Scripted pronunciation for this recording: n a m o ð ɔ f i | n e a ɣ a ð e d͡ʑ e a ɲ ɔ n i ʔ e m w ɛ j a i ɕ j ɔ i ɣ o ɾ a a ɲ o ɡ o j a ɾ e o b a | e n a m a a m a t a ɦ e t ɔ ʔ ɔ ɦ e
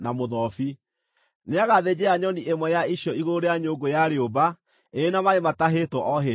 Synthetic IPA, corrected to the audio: n a m o ð ɔ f i | n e a ɣ a ð e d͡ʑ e a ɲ ɔ n i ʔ e m w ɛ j a i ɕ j ɔ i ɣ o ɾ e a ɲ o ɡ o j a ɾ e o b a | e n a m a e m a t a ɦ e t ɔ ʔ ɔ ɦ e